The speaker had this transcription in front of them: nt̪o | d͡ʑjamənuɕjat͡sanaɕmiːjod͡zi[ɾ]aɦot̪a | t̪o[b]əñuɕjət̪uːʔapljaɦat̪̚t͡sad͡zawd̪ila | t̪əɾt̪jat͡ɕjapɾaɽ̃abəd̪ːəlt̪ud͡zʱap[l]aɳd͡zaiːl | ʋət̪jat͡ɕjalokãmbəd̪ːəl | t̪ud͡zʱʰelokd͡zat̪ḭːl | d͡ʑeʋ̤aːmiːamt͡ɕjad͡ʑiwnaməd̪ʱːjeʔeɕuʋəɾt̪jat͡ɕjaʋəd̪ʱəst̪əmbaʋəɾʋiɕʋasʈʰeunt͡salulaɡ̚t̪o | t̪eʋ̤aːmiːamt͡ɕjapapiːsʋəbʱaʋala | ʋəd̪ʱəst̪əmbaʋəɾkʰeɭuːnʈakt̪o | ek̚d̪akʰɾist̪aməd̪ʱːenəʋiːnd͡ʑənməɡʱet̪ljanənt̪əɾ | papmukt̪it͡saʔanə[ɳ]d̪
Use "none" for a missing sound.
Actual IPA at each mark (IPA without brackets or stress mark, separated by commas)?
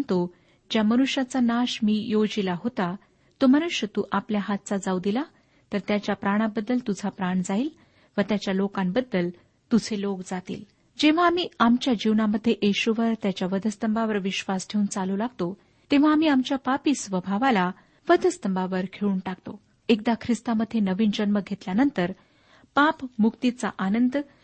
l, m, ɾ, n